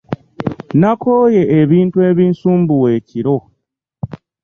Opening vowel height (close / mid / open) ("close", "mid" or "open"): open